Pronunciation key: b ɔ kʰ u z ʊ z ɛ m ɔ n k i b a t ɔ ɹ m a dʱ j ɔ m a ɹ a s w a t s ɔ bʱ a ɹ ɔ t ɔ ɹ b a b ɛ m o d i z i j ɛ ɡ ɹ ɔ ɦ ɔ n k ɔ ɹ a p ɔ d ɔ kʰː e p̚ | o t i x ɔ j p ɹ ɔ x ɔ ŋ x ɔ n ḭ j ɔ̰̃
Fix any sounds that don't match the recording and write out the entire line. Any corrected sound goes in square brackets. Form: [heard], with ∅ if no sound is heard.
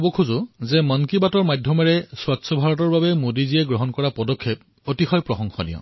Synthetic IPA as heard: b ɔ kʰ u z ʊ z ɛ m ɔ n k i b a t ɔ ɹ m a dʱ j ɔ m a ɹ [ɛ] s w a t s ɔ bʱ a ɹ ɔ t ɔ ɹ b a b ɛ m o d i z i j ɛ ɡ ɹ ɔ ɦ ɔ n k ɔ ɹ a p ɔ d ɔ kʰː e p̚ | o t i x ɔ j p ɹ ɔ x ɔ ŋ x ɔ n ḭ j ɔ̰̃